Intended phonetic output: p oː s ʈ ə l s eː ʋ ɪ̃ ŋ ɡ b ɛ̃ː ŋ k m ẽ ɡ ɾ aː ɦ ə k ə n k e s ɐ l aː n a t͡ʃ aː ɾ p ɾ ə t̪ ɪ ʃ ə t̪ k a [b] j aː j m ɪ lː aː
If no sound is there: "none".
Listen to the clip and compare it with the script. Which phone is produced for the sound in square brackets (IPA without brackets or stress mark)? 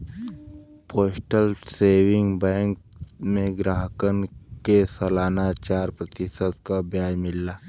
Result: b